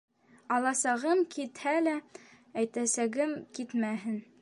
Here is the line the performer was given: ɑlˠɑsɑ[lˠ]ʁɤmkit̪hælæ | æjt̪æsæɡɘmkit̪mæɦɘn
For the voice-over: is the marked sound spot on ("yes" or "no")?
no